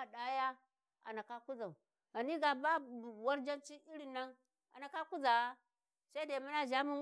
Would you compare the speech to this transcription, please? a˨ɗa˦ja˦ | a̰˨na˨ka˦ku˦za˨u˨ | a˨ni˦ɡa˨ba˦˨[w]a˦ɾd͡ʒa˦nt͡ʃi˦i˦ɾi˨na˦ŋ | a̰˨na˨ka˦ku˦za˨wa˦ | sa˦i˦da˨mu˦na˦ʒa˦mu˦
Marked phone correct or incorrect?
correct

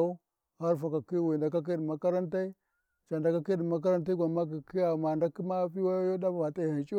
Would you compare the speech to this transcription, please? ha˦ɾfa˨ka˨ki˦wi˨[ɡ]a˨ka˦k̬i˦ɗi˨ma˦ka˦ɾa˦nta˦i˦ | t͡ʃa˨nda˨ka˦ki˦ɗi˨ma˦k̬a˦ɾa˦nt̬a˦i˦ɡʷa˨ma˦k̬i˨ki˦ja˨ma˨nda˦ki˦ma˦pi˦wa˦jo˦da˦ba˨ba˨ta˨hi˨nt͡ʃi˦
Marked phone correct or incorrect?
incorrect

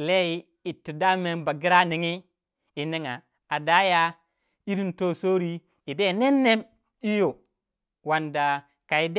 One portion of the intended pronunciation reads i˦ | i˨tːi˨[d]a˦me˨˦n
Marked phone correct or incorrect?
correct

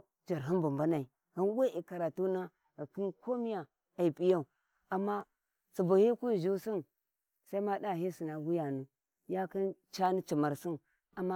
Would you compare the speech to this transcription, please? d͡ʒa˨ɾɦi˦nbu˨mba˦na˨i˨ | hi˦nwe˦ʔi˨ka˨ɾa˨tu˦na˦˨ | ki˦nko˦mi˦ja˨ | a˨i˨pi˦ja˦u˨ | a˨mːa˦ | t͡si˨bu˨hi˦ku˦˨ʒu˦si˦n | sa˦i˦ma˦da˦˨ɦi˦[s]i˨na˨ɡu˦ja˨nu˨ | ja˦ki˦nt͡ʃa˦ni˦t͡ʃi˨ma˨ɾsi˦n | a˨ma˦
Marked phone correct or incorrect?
correct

